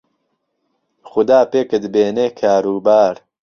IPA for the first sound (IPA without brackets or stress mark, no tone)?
x